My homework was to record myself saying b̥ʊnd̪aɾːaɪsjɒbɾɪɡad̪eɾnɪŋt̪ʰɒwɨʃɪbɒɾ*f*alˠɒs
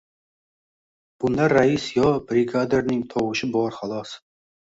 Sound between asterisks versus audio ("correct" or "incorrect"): incorrect